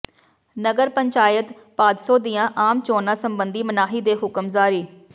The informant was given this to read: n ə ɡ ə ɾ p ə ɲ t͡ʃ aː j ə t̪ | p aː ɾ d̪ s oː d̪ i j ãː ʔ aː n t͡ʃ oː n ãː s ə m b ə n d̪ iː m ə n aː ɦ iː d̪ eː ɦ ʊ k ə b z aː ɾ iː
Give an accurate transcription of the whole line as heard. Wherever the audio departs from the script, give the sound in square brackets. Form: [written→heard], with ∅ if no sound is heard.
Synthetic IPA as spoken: n ə ɡ ə ɾ p ə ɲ t͡ʃ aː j ə t̪ | p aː [ɾ→∅] d̪ s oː d̪ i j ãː ʔ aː [n→m] t͡ʃ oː n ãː s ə m b ə n d̪ iː m ə n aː ɦ iː d̪ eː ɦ ʊ k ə [b→m] z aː ɾ iː